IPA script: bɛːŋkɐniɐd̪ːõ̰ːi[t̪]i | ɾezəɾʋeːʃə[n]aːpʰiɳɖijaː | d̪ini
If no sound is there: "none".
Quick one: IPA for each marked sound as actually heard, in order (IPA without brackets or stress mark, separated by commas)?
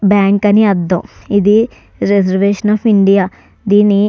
d̪, n